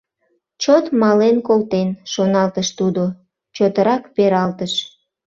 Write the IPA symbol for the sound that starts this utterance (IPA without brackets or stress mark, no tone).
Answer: t͡ɕ